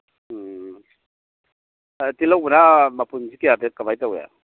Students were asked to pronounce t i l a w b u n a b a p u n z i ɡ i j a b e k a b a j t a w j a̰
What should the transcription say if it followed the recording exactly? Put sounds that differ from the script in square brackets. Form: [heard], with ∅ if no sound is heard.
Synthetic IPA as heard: t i l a w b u n a [m] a p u n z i [k] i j a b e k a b a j t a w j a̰